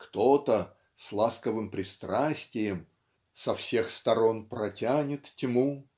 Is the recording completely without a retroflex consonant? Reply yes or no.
yes